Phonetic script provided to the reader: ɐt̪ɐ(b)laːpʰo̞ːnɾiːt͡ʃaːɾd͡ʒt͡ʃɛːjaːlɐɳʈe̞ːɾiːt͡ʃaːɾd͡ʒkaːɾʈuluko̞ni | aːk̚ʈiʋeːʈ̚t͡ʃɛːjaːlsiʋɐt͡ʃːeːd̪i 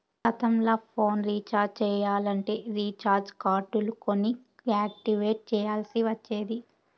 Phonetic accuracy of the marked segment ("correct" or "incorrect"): incorrect